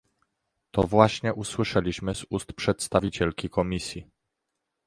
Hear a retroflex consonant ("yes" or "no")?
yes